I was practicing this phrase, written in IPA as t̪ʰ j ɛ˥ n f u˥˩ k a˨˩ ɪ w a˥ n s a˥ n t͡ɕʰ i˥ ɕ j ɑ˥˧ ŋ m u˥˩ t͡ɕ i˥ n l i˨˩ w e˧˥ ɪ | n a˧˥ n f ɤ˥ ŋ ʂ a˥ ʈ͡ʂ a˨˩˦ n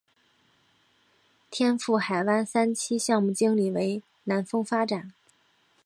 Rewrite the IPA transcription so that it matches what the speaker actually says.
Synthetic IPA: t̪ʰ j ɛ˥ n f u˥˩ x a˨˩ ɪ w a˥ n s a˥ n t͡ɕʰ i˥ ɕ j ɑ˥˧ ŋ m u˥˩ t͡ɕ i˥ ŋ l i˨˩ w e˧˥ ɪ | n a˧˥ n f ɤ˥ ŋ f a˥ ʈ͡ʂ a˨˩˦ n